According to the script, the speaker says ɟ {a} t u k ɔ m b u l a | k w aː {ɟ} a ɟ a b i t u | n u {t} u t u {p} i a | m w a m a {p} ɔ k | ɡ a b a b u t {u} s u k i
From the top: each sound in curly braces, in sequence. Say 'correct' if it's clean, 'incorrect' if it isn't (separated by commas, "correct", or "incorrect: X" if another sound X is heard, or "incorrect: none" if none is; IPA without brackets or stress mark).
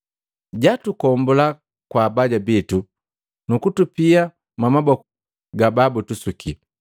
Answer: correct, incorrect: b, incorrect: k, correct, incorrect: b, correct